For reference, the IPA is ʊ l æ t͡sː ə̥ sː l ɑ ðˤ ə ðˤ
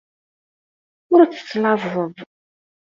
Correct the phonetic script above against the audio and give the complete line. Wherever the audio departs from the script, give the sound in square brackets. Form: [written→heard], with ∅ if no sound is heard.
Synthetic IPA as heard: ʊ [l→ɾ] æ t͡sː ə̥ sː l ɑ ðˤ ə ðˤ